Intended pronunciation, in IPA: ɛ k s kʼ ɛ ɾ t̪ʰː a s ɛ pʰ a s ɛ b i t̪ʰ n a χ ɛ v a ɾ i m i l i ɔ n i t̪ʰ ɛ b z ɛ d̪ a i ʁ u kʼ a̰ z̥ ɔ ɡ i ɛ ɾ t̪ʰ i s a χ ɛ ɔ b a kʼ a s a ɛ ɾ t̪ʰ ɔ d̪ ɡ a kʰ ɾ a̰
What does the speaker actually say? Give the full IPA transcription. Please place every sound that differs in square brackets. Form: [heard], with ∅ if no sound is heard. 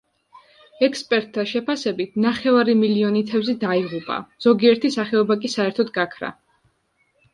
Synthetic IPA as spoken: ɛ k s [pʼ] ɛ ɾ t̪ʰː a [ʃ] ɛ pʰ a s ɛ b i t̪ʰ n a χ ɛ v a ɾ i m i l i ɔ n i t̪ʰ ɛ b z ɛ d̪ a i ʁ u [pʼ] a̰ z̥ ɔ ɡ i ɛ ɾ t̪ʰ i s a χ ɛ ɔ b a kʼ [i] s a ɛ ɾ t̪ʰ ɔ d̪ ɡ a kʰ ɾ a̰